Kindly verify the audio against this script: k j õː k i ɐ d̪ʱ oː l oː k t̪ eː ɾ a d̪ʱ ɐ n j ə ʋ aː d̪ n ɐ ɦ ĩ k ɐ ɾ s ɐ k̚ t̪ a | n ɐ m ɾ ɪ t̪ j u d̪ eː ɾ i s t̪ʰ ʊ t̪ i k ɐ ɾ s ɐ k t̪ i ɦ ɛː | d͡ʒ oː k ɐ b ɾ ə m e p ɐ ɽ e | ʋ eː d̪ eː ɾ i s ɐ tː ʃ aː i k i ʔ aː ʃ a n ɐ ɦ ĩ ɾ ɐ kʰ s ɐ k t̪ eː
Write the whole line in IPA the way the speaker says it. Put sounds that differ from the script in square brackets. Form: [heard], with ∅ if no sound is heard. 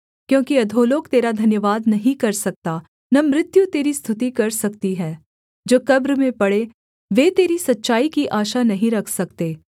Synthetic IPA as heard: k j õː k i ɐ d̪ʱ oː l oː k t̪ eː ɾ a d̪ʱ ɐ n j ə ʋ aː d̪ n ɐ ɦ ĩ k ɐ ɾ s ɐ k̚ t̪ a | n ɐ m ɾ ɪ t̪ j u [t̪] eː ɾ i s t̪ʰ ʊ t̪ i k ɐ ɾ s ɐ k t̪ i ɦ ɛː | d͡ʒ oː k ɐ b ɾ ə m [ẽ] p ɐ ɽ e | ʋ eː [t̪] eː ɾ i s ɐ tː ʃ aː i k i ʔ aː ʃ a n ɐ ɦ ĩ ɾ ɐ kʰ s ɐ k t̪ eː